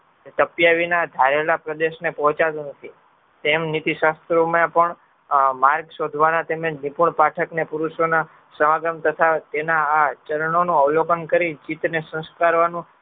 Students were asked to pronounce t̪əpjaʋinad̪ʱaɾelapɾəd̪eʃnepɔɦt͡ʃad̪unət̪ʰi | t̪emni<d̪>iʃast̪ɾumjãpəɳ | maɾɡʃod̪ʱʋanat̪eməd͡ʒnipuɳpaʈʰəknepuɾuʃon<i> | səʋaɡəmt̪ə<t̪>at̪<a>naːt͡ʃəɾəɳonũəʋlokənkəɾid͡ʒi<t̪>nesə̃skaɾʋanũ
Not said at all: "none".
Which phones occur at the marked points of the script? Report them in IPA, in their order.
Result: t̪, a, t̪ʰ, e, t̪

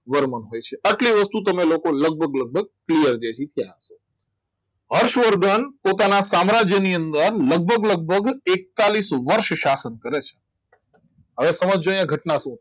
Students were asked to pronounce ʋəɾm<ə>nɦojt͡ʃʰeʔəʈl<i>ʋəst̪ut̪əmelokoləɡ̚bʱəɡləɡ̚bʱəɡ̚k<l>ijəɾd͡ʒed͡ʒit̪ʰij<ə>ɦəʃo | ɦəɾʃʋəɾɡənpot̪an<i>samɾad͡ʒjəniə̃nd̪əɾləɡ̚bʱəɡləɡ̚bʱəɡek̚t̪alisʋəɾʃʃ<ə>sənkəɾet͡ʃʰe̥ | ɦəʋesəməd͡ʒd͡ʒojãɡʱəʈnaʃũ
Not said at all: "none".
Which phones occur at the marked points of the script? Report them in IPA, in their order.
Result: ə, i, l, a, a, a

